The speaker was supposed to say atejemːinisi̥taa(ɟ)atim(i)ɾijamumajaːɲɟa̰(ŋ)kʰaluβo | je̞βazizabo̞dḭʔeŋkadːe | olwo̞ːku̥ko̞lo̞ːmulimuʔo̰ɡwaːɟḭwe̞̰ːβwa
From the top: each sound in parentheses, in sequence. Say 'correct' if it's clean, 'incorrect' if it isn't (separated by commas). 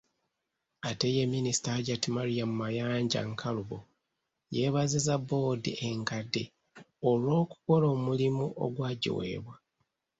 correct, incorrect, correct